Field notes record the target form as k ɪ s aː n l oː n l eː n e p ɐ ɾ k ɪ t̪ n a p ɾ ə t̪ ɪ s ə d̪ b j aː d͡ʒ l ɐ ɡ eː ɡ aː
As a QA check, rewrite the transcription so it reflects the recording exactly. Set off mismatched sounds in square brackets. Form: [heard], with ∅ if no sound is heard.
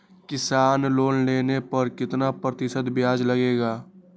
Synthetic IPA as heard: k ɪ s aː n l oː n l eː n e p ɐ ɾ k ɪ t̪ n a p ɾ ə t̪ ɪ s ə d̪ b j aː d͡ʒ l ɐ ɡ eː ɡ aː